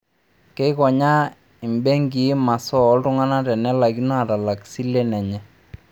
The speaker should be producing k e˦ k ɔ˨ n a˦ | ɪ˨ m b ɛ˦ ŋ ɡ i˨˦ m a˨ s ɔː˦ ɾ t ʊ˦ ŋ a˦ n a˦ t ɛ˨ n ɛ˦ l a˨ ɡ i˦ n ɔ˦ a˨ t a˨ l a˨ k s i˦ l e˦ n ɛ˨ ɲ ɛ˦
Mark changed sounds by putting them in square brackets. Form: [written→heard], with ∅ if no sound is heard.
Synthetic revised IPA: k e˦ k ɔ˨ [n→ɲ] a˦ | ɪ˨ m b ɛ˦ ŋ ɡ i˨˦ m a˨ s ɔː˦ [ɾ→l] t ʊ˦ ŋ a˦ n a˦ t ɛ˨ n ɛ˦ l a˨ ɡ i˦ n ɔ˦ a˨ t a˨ l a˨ k s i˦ l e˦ n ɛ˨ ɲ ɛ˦

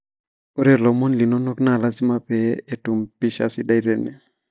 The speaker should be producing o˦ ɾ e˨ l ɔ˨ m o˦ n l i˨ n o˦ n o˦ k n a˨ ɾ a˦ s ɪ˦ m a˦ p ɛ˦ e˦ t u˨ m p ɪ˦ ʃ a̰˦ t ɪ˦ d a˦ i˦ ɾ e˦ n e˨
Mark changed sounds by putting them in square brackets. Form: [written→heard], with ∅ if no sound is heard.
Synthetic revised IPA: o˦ ɾ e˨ l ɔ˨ m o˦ n l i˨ n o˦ n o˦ k n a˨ [ɾ→l] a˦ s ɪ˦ m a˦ p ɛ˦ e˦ t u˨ m p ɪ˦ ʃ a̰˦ [t→s] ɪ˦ d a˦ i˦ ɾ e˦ n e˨

